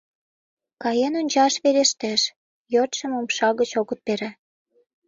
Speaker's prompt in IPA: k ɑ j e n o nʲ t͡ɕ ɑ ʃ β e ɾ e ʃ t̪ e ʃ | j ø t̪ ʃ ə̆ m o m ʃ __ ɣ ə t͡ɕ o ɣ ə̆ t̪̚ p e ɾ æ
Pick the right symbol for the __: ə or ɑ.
ɑ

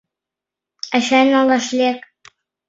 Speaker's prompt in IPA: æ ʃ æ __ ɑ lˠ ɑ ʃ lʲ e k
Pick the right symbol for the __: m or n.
n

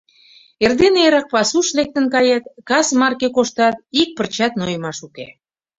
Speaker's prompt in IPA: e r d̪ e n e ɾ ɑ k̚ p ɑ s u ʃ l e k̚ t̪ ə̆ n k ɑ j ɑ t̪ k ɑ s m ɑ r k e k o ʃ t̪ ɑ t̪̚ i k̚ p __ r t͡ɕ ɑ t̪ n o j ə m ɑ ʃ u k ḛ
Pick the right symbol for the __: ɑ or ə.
ə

